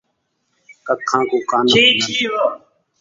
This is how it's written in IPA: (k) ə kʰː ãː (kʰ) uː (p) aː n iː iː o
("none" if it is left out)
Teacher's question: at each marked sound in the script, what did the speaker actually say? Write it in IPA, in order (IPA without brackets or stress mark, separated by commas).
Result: k, k, k